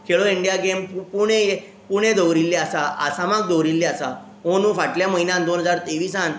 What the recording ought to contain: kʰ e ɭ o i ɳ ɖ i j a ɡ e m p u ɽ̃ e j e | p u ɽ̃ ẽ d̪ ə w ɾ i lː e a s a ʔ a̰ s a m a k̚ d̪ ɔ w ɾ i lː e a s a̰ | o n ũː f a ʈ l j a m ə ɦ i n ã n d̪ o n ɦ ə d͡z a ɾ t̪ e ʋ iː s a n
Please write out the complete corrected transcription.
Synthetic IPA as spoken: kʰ e ɭ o i ɳ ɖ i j a ɡ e m p u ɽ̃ e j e | p u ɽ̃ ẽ d̪ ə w ɾ i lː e a s a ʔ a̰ s a m a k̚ d̪ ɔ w ɾ i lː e a s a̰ | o n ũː f a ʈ l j a m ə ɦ i n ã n d̪ o n ɦ ə d͡z a ɾ t̪ e ʋ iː s a n